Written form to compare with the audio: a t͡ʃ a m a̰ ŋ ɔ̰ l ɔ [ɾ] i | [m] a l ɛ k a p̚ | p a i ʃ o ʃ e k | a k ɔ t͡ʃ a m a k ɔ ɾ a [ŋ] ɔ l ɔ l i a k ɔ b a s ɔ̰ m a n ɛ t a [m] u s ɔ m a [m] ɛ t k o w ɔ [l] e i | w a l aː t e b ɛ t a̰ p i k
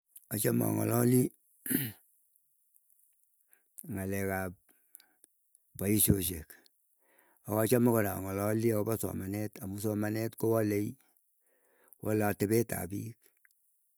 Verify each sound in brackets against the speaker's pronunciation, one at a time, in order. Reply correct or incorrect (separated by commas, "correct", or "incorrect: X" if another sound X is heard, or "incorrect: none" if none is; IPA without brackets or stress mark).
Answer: incorrect: l, incorrect: ŋ, correct, correct, incorrect: n, correct